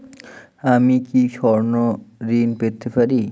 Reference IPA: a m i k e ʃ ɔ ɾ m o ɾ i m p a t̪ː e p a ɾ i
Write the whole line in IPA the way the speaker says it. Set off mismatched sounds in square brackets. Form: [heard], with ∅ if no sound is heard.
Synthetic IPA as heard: a m i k [i] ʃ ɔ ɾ [n] o ɾ i [n] p [e] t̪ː e p a ɾ i